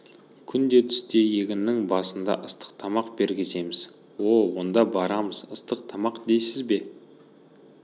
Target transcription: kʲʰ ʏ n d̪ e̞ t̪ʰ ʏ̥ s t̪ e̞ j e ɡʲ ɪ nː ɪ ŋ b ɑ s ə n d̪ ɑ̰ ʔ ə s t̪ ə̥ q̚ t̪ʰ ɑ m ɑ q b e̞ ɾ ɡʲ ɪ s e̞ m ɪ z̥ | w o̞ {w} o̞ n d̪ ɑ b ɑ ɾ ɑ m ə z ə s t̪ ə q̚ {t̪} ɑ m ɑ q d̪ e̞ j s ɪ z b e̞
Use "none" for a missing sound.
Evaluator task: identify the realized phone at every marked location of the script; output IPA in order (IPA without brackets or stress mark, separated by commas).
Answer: w, t̪ʰ